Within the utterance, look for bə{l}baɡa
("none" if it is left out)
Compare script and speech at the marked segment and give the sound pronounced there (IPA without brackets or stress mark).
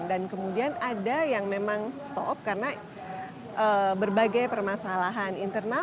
r